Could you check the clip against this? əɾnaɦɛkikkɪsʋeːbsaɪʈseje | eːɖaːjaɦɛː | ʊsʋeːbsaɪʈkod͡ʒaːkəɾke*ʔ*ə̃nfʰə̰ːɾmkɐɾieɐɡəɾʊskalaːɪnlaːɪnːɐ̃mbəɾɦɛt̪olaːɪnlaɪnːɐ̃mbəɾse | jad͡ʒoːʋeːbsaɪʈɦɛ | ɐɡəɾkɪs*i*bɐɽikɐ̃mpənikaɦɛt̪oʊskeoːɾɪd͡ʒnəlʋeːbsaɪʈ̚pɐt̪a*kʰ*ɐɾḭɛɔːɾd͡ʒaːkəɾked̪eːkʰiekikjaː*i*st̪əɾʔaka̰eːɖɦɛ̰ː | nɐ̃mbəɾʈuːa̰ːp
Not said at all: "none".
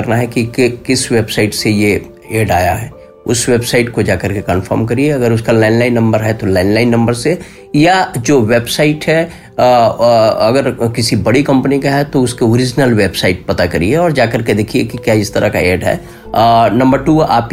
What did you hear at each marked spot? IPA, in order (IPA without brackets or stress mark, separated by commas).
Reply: k, i, k, ɪ